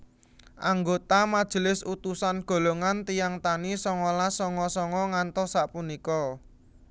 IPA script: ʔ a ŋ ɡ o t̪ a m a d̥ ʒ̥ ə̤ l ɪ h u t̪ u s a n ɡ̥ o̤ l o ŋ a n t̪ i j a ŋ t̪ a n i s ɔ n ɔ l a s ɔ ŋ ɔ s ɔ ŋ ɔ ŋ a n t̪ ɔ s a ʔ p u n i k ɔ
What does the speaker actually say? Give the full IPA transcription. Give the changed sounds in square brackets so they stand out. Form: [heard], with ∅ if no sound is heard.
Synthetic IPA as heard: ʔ a ŋ ɡ o t̪ a m a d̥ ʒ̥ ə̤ l ɪ [s] u t̪ u s a n ɡ̥ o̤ l o ŋ a n t̪ i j a ŋ t̪ a n i s ɔ [ŋ] ɔ l a s ɔ ŋ ɔ s ɔ ŋ ɔ ŋ a n t̪ ɔ s a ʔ p u n i k ɔ